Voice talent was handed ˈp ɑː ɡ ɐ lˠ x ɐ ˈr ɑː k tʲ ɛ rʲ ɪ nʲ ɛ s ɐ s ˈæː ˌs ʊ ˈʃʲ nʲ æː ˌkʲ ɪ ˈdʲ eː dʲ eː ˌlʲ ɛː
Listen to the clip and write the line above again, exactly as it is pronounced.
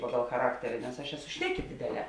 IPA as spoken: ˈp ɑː ɡ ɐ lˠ x ɐ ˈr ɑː k tʲ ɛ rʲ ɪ nʲ ɛ s ɐ ʃ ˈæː ˌs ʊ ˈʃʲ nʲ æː ˌkʲ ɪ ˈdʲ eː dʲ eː ˌlʲ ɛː